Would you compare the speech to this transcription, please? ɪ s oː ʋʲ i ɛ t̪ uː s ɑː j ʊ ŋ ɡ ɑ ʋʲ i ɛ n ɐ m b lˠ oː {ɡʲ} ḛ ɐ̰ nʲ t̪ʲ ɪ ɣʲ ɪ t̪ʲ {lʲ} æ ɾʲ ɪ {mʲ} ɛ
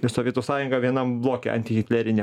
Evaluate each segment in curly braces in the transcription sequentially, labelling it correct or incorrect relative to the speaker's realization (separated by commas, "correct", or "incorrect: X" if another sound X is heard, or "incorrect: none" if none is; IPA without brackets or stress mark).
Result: incorrect: kʲ, correct, incorrect: nʲ